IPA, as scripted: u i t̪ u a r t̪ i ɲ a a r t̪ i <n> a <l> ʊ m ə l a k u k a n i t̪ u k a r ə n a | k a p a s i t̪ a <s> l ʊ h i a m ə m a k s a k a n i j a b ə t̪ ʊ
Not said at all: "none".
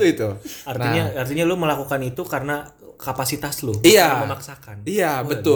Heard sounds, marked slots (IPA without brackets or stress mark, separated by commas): ɲ, l, s